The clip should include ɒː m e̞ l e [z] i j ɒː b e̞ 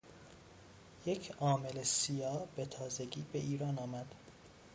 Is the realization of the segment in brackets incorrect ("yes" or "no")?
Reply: yes